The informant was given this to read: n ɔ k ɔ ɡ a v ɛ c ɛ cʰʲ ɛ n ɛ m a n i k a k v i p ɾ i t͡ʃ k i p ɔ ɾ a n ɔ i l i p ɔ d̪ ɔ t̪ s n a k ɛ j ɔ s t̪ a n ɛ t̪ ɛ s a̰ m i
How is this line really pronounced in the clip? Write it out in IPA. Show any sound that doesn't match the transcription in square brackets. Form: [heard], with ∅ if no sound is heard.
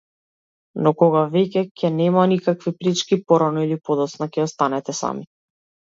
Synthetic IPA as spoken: n ɔ k ɔ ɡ a v ɛ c ɛ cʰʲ ɛ n ɛ m a n i k a k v i p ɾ i t͡ʃ k i p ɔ ɾ a n ɔ i l i p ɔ d̪ ɔ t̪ s n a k ɛ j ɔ s t̪ a n ɛ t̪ ɛ s a̰ m i